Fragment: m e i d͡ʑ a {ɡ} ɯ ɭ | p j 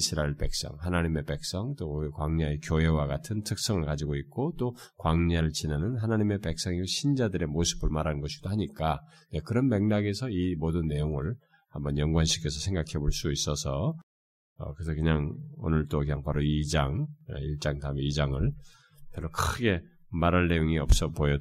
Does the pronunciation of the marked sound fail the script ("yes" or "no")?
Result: yes